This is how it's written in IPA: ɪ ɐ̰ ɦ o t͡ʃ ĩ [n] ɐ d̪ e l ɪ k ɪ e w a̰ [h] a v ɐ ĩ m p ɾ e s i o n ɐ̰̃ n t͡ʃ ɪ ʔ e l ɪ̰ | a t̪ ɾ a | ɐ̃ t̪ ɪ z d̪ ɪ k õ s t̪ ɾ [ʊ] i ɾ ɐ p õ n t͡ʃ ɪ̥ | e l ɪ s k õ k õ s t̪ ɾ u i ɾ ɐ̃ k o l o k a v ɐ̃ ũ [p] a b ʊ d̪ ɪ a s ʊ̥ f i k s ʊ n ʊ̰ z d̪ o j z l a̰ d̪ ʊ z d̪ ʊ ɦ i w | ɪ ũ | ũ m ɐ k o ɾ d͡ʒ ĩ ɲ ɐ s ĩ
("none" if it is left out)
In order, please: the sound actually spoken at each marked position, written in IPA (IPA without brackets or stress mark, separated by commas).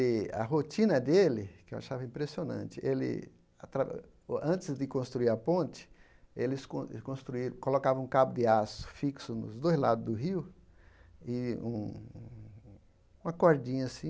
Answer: n, ʃ, u, k